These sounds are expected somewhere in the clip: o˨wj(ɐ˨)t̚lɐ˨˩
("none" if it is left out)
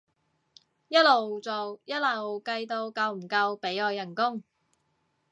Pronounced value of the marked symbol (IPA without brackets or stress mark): ɐ˥